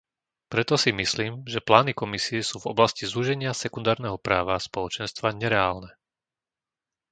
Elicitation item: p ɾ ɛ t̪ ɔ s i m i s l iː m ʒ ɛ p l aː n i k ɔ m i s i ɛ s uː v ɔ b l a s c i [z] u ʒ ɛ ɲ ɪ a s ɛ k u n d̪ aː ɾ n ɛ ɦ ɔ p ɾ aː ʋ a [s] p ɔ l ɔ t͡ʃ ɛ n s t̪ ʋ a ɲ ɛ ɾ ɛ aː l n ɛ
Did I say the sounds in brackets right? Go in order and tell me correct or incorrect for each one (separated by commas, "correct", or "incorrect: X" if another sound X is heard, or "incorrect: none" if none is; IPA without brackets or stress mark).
correct, correct